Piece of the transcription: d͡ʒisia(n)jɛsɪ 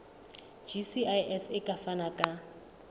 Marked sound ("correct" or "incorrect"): incorrect